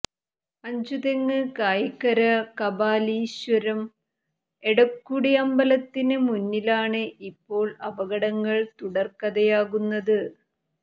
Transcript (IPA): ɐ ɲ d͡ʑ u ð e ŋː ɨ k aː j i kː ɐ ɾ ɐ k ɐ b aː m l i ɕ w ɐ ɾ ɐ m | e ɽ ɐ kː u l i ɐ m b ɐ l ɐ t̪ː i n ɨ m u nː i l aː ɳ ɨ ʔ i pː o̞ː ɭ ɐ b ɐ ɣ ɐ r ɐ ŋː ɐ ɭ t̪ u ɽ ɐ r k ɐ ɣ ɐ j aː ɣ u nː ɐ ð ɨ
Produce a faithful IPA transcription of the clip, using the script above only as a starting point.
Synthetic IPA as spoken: ɐ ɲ d͡ʑ u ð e ŋː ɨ k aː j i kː ɐ ɾ ɐ k ɐ b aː l i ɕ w ɐ ɾ ɐ m | e ɽ ɐ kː u ɽ i ɐ m b ɐ l ɐ t̪ː i n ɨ m u nː i l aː ɳ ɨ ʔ i pː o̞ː ɭ ɐ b ɐ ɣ ɐ ɽ ɐ ŋː ɐ ɭ t̪ u ɽ ɐ r k ɐ ð ɐ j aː ɣ u nː ɐ ð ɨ